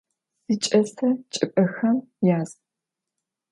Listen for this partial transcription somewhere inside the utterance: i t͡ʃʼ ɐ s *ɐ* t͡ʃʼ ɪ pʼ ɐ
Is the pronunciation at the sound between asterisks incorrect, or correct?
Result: correct